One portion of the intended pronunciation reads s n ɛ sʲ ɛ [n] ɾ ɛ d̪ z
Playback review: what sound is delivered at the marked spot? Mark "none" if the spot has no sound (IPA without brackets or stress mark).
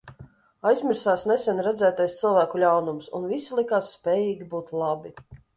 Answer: n